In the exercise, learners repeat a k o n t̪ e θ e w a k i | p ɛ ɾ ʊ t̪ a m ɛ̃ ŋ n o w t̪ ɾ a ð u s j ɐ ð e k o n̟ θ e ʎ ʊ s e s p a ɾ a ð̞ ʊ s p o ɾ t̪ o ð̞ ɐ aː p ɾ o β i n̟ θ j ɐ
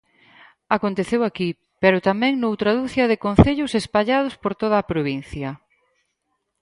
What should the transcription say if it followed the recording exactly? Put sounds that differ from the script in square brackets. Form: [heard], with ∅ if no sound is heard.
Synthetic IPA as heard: a k o n t̪ e θ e w a k i | p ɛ ɾ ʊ t̪ a m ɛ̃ ŋ n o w t̪ ɾ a ð u [θ] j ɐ ð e k o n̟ θ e ʎ ʊ s e s p a [ʎ] a ð̞ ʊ s p o ɾ t̪ o ð̞ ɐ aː p ɾ o β i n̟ θ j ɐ

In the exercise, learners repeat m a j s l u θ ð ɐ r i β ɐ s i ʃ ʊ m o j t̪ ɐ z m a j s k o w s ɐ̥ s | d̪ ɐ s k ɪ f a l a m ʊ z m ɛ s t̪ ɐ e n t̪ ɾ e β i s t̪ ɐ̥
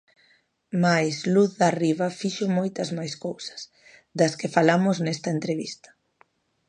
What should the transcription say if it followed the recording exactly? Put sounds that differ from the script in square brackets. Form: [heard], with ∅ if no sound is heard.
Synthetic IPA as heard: m a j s l u θ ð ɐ r i β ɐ [f] i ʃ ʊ m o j t̪ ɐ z m a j s k o w s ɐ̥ s | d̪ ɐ s k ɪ f a l a m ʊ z [n] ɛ s t̪ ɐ e n t̪ ɾ e β i s t̪ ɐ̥

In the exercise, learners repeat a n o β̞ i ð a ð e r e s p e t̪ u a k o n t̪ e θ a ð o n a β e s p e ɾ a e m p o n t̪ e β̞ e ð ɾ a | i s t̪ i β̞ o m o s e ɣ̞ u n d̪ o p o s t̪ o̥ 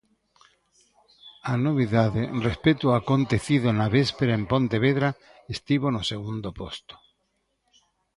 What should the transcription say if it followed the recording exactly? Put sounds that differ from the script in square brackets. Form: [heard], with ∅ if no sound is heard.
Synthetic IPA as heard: a n o β̞ i ð a ð e r e s p e t̪ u a k o n t̪ e θ [i] ð o n a β e s p e ɾ a e m p o n t̪ e β̞ e ð ɾ a | [e] s t̪ i β̞ o [n] o s e ɣ̞ u n d̪ o p o s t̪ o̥

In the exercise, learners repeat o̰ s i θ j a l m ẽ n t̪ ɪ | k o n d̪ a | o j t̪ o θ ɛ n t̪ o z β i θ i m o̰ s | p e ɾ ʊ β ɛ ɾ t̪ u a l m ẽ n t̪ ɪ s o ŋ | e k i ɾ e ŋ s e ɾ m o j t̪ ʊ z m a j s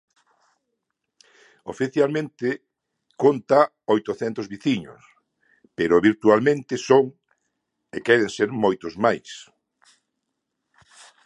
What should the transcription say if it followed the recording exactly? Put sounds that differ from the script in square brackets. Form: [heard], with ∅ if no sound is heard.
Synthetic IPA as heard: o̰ [f] i θ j a l m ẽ n t̪ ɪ | k o n [t̪] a | o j t̪ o θ ɛ n t̪ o z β i θ i [ɲ] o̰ s | p e ɾ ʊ β [i] ɾ t̪ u a l m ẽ n t̪ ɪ s o ŋ | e k [ɛ] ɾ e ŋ s e ɾ m o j t̪ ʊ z m a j s

